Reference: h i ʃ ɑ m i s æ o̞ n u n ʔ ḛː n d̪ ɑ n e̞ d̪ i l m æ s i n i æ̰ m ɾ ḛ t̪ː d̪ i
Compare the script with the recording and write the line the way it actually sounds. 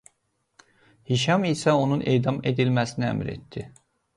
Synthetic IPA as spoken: h i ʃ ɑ m i s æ o̞ n u n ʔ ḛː d̪ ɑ m e̞ d̪ i l m æ s i n i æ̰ m ɾ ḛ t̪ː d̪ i